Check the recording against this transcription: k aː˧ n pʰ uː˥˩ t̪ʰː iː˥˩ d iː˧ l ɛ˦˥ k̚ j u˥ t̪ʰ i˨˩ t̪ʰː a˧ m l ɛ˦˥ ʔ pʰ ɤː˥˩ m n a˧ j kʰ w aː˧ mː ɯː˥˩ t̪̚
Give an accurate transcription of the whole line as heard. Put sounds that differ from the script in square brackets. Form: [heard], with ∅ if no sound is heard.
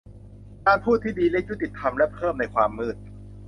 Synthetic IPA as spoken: k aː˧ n pʰ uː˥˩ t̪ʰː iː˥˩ d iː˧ l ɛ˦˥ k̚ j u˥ [t̪] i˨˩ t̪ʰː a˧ m l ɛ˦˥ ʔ pʰ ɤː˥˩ m n a˧ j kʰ w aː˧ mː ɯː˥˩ t̪̚